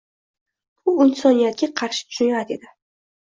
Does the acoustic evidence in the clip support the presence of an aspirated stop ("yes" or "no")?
yes